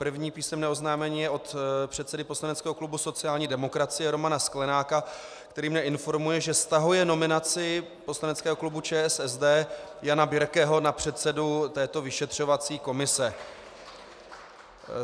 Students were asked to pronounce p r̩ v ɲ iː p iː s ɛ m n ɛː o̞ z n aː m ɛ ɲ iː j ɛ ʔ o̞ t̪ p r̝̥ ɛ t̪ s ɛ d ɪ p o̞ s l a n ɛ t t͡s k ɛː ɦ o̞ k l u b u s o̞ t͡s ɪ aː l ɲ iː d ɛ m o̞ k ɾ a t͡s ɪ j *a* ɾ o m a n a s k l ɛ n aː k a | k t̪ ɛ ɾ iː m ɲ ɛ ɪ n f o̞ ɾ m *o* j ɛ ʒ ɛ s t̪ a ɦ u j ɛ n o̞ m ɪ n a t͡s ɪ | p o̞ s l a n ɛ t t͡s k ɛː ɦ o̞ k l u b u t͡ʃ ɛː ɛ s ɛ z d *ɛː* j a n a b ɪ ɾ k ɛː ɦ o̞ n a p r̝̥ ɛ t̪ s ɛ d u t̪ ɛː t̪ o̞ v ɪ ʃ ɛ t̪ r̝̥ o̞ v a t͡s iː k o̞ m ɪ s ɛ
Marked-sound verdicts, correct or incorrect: incorrect: ɛ, incorrect: u, correct

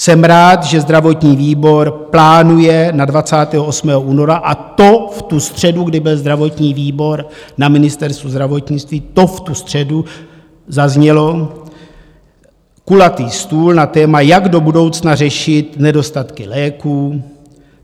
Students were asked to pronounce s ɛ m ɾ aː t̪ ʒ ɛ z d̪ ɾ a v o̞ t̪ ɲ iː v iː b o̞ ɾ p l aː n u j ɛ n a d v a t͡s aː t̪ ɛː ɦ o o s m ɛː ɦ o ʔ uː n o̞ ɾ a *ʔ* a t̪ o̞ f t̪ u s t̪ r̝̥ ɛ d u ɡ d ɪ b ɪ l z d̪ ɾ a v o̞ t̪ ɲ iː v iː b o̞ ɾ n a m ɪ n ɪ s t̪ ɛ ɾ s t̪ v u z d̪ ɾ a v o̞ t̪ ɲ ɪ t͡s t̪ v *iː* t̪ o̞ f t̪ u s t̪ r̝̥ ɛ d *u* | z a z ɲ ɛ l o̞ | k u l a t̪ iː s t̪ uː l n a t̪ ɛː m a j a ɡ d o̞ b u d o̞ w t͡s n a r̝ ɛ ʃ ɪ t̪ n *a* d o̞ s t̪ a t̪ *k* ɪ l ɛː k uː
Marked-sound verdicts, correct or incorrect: correct, correct, correct, incorrect: ɛ, correct

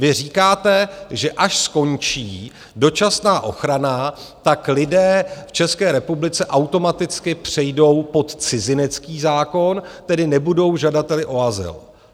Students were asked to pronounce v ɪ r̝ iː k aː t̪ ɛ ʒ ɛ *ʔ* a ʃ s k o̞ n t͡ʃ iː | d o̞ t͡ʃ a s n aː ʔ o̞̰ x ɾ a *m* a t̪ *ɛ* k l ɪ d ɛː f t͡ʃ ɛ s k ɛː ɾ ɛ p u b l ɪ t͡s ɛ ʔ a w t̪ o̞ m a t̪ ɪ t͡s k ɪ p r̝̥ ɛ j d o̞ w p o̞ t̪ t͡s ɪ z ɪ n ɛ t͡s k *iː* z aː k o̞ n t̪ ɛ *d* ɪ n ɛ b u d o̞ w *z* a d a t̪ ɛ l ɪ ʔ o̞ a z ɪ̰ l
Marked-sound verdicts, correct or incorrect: correct, incorrect: n, incorrect: a, correct, correct, incorrect: ʒ

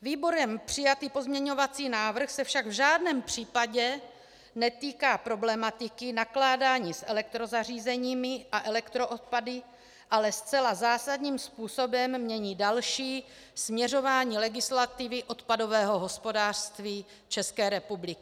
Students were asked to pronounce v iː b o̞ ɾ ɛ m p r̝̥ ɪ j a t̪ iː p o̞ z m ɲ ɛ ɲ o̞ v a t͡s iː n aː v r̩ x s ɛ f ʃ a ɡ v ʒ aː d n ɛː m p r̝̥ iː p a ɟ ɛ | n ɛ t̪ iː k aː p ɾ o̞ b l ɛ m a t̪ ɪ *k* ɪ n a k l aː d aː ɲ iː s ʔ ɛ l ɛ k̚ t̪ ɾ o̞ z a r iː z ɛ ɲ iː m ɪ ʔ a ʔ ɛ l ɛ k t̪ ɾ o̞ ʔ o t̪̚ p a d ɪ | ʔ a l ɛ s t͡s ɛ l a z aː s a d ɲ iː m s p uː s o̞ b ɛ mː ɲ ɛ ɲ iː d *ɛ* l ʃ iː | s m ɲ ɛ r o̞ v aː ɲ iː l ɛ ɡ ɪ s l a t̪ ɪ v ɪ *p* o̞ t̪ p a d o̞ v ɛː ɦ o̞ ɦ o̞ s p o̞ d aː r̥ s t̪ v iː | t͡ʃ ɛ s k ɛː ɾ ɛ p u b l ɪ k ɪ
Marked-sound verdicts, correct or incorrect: correct, incorrect: a, incorrect: ʔ

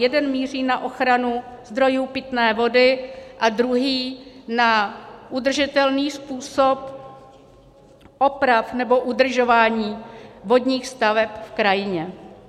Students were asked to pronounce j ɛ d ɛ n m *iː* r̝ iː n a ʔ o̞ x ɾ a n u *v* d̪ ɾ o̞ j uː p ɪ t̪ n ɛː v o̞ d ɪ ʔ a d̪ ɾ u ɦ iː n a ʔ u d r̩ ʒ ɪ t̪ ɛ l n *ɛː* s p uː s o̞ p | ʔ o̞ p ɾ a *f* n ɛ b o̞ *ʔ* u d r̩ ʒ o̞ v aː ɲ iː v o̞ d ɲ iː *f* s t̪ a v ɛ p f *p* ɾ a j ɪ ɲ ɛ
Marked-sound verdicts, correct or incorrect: correct, incorrect: z, incorrect: iː, correct, correct, incorrect: x, incorrect: k

